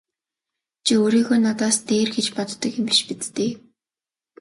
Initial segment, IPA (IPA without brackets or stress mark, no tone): t͡ɕʰ